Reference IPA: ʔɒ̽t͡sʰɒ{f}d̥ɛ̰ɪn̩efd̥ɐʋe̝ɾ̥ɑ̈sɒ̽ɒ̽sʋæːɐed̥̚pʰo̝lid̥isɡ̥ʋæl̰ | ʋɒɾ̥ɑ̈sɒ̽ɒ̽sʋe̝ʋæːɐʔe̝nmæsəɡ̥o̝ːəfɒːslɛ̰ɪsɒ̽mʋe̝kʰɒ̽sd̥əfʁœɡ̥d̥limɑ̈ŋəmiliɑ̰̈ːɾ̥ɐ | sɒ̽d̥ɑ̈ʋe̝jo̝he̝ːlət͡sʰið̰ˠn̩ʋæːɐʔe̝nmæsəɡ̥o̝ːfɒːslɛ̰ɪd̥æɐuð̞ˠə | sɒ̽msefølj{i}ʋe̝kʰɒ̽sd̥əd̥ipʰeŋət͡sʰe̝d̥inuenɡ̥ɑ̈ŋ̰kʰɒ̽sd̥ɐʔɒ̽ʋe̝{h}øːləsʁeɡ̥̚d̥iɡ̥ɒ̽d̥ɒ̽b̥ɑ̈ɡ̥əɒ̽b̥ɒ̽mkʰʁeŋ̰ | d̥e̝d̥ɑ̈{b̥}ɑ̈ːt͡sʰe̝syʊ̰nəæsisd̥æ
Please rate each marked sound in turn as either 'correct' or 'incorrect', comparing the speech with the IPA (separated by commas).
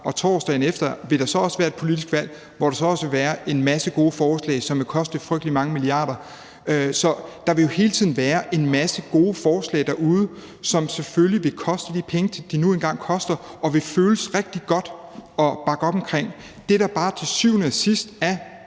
incorrect, correct, incorrect, correct